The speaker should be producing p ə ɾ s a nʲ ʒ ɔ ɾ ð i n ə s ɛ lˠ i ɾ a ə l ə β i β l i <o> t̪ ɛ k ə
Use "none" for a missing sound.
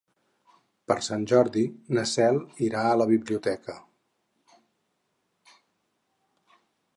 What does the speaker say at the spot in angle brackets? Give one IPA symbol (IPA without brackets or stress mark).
u